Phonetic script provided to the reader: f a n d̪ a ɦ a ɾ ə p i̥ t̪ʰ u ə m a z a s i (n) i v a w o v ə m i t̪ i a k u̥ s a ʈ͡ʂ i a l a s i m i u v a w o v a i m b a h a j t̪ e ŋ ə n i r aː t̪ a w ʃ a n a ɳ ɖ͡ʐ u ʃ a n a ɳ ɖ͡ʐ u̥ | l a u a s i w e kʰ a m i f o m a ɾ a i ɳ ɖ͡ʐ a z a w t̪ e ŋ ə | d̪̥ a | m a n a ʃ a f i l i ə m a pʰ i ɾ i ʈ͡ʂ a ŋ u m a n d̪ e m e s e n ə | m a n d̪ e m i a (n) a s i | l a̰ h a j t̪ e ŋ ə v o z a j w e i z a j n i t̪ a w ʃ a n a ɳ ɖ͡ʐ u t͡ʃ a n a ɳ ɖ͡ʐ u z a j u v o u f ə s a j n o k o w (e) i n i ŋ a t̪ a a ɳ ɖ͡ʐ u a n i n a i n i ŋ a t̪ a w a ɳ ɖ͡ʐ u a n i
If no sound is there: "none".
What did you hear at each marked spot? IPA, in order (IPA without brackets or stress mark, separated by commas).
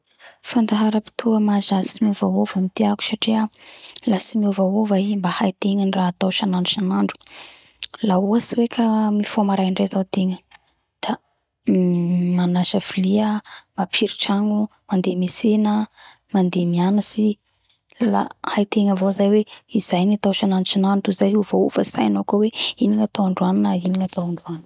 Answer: m, n, e